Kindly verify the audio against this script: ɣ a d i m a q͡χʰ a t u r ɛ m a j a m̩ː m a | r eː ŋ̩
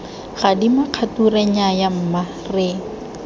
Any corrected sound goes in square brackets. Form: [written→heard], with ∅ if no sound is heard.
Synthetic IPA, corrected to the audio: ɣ a d i m a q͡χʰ a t u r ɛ [m→ɲ] a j a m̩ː m a | r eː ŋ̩